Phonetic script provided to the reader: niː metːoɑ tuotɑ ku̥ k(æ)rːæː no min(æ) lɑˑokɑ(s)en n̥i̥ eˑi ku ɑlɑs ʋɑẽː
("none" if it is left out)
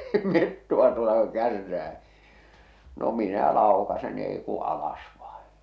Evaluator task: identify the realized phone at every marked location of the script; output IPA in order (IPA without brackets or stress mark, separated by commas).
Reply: æ, æ, s